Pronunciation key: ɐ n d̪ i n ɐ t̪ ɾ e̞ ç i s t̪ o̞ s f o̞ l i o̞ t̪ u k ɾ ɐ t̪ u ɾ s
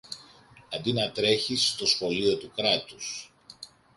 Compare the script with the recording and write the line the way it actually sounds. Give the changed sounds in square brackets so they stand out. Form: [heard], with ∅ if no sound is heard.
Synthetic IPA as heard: ɐ n d̪ i n ɐ t̪ ɾ e̞ ç i s t̪ o̞ s [x] o̞ l i o̞ t̪ u k ɾ ɐ t̪ u [∅] s